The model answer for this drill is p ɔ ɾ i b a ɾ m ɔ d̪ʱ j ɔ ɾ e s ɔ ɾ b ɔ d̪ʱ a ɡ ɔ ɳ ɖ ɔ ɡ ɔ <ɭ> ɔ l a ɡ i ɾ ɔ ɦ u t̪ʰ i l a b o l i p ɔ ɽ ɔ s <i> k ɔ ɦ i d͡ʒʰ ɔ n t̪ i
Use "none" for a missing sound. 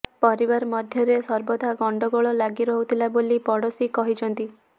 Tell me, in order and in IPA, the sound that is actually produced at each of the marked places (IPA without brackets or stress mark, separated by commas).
ɭ, i